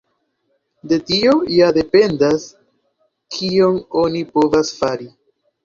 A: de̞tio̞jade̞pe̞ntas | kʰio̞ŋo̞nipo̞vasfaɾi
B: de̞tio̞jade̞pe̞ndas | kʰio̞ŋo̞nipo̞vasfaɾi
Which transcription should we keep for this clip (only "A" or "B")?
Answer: B